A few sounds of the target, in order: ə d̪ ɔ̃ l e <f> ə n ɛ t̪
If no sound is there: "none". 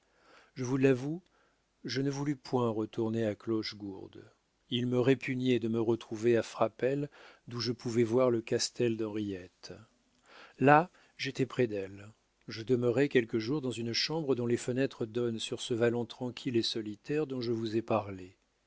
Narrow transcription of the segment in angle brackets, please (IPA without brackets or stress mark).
f